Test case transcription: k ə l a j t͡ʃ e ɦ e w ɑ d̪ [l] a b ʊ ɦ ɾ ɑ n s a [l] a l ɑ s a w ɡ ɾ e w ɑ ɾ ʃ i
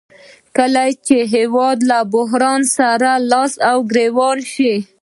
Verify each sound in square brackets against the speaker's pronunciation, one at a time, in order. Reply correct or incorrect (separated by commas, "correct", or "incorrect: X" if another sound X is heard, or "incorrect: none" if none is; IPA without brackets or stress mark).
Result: correct, incorrect: ɾ